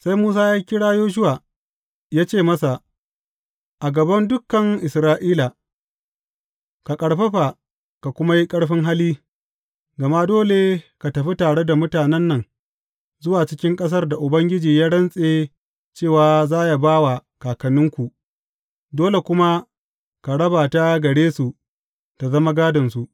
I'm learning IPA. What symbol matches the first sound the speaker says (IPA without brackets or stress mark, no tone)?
s